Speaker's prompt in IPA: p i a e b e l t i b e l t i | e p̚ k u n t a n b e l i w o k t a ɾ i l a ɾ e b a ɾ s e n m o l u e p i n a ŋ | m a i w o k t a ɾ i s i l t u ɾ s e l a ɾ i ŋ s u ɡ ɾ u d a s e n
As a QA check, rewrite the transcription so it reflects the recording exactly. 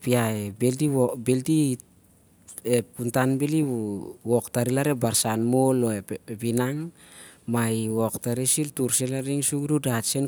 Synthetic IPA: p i a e b e l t i b e l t i | e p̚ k u n t a n b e l i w o k t a ɾ i l a ɾ e b a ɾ s a n m o l o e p i n a ŋ | m a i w o k t a ɾ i s i l t u ɾ s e l a ɾ i ŋ s u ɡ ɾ u d a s e n